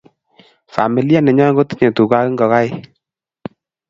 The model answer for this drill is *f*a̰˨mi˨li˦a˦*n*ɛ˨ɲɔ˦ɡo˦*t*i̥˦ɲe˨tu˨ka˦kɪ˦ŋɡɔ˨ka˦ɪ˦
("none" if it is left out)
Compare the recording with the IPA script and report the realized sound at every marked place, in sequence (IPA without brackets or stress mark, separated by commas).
f, n, t